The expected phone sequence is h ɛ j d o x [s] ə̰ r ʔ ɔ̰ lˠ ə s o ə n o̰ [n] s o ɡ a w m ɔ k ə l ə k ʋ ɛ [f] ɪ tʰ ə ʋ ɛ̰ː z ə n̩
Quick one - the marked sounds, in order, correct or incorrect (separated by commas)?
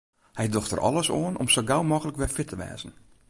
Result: incorrect, incorrect, correct